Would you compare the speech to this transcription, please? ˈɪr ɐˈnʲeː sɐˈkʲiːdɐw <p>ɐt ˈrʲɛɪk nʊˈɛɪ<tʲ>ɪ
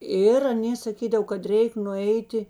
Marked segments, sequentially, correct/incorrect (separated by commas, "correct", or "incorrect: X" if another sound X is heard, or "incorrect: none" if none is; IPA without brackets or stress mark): incorrect: k, correct